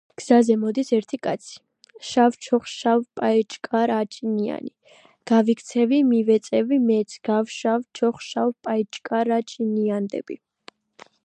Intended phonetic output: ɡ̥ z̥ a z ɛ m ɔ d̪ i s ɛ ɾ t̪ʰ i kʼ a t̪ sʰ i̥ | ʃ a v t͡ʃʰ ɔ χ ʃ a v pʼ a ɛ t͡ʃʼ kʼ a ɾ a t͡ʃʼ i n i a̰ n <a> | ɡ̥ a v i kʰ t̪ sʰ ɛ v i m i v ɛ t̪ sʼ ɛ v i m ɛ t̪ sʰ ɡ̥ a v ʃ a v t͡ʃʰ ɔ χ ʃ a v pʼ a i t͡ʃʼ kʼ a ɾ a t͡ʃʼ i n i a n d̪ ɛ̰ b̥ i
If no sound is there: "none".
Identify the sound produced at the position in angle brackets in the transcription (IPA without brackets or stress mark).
i